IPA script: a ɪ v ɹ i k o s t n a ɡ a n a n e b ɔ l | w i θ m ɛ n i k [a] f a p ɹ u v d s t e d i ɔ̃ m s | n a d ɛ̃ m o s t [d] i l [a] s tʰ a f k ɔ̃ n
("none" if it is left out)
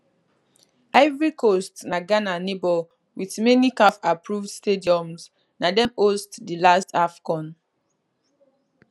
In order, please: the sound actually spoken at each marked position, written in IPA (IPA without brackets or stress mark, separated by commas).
a, d, a